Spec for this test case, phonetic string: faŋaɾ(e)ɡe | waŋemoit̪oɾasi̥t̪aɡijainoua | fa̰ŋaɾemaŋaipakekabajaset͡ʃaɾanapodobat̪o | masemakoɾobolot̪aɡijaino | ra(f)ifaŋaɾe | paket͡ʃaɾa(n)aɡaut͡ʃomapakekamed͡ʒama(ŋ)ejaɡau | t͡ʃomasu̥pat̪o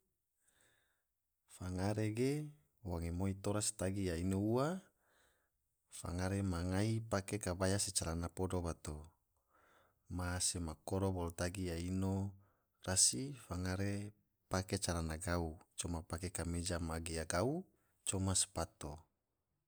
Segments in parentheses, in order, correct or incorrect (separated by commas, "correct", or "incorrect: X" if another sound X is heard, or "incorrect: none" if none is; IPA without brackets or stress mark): correct, incorrect: s, correct, incorrect: ɡ